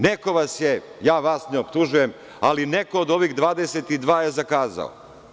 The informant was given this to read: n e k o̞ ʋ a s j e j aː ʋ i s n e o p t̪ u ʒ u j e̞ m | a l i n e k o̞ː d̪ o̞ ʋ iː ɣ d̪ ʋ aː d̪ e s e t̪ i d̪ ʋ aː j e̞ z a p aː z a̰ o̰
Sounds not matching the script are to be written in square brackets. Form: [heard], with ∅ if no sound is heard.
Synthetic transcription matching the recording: n e k o̞ ʋ a s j e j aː ʋ [a] s n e o p t̪ u ʒ u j e̞ m | a l i n e k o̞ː d̪ o̞ ʋ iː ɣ d̪ ʋ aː d̪ e s e t̪ i d̪ ʋ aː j e̞ z a [k] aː z a̰ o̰

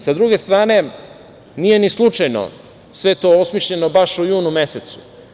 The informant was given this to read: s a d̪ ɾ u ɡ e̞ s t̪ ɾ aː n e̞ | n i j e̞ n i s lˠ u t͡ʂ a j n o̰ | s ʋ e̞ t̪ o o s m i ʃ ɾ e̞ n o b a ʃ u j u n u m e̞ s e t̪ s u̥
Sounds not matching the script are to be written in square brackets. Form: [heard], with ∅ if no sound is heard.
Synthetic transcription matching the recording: s a d̪ ɾ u ɡ e̞ s t̪ ɾ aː n e̞ | n i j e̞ n i s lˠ u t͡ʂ a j n o̰ | s ʋ e̞ t̪ o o s m i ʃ [ʎ] e̞ n o b a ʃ u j [uː] n u m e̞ s e t̪ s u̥

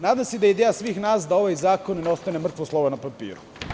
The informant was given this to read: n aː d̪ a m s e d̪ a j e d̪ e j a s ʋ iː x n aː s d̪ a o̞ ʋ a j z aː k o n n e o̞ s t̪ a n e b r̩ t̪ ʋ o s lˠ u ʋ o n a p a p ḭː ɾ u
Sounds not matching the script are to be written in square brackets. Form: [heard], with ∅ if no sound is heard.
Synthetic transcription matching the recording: n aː d̪ a m s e d̪ a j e d̪ e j a s ʋ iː x n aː s d̪ a o̞ ʋ a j z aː k o n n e o̞ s t̪ a n e [m] r̩ t̪ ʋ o s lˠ [o] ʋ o n a p a p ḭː ɾ u

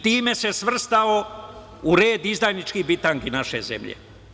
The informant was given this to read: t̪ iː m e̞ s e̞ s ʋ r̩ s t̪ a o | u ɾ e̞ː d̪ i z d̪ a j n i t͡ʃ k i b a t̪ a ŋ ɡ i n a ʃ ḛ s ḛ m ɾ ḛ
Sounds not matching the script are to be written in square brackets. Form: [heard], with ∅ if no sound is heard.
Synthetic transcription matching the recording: t̪ iː m e̞ s e̞ s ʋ r̩ s t̪ a o | u ɾ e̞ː d̪ i z d̪ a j n i t͡ʃ k i b [i] t̪ a ŋ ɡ i n a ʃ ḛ [z] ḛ m [ʎ] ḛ

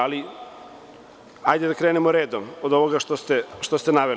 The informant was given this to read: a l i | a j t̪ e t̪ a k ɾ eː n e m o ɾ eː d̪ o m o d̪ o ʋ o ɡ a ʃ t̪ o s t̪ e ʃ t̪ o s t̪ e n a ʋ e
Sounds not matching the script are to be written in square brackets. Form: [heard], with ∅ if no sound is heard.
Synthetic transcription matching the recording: a l i | a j [d̪] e [d̪] a k ɾ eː n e m o ɾ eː d̪ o m o d̪ o ʋ o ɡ a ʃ t̪ o s t̪ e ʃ t̪ o s t̪ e n a ʋ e

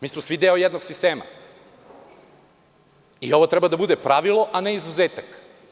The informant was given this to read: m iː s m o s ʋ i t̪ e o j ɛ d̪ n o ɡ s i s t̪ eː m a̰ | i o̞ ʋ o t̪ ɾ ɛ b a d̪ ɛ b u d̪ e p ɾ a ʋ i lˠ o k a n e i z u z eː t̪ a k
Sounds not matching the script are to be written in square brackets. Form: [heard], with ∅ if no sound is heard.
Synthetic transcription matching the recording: m iː s m o s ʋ i [d̪] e o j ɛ d̪ n o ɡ s i s t̪ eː m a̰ | i o̞ ʋ o t̪ ɾ ɛ b a d̪ [a] b u d̪ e p ɾ a ʋ i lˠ o [ʔ] a n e i z u z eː t̪ a k

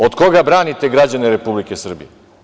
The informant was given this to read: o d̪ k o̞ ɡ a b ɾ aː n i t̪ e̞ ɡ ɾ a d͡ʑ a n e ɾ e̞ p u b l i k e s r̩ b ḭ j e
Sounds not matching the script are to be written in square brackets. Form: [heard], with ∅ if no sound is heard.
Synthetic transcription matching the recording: o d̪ k o̞ ɡ a b ɾ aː n i t̪ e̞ ɡ ɾ a d͡ʑ a n e ɾ e̞ p u b l i k e s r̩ b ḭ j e

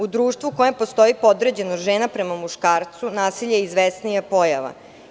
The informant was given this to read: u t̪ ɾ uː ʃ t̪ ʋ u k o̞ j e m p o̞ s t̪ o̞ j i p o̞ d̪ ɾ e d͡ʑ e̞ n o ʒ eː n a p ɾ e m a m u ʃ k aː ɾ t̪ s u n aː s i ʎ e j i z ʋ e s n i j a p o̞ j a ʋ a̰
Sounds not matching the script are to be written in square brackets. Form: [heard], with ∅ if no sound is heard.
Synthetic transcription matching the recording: u [d̪] ɾ uː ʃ t̪ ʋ u k o̞ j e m p o̞ s t̪ o̞ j i p o̞ d̪ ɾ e d͡ʑ e̞ n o ʒ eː n a p ɾ e m a m u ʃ k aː ɾ t̪ s u n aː s i ʎ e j i z ʋ e s n i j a p o̞ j a ʋ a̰

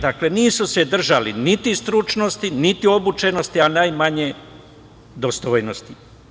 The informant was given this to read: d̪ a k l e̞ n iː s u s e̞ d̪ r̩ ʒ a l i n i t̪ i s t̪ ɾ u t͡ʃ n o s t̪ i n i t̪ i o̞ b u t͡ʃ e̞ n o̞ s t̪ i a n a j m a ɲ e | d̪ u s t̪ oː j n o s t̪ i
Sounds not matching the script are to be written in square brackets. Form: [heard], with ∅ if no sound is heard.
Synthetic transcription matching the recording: d̪ a k l e̞ n iː s u s e̞ d̪ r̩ ʒ a l i n i t̪ i s t̪ ɾ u t͡ʃ n o s t̪ i n i t̪ i o̞ b u t͡ʃ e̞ n o̞ s t̪ i a n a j m a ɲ e | d̪ [o] s t̪ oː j n o s t̪ i

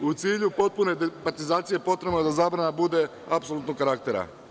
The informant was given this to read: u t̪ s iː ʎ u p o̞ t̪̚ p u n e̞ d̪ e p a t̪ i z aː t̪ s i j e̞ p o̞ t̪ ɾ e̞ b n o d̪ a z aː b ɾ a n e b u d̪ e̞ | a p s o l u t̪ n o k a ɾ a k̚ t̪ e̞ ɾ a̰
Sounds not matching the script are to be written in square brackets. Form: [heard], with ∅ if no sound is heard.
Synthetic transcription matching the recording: u t̪ s iː ʎ u p o̞ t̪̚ p u n e̞ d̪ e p a t̪ i z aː t̪ s i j e̞ p o̞ t̪ ɾ e̞ b n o d̪ a z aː b ɾ a n [a] b u d̪ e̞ | a p s o l u t̪ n o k a ɾ a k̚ t̪ e̞ ɾ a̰

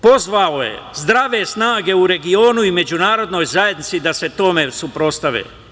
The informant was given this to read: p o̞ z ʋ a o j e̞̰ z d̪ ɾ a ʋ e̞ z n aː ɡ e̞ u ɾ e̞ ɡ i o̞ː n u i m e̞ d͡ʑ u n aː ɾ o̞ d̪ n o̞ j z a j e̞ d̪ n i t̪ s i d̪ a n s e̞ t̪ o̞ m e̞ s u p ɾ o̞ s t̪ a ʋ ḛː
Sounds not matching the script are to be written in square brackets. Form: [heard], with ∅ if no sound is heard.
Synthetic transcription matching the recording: p o̞ z ʋ a o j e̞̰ z d̪ ɾ a ʋ e̞ [s] n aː ɡ e̞ u ɾ e̞ ɡ i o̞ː n u i m e̞ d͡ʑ u n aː ɾ o̞ d̪ n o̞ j z a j e̞ d̪ n i t̪ s i d̪ a [∅] s e̞ t̪ o̞ m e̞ s u p ɾ o̞ s t̪ a ʋ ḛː

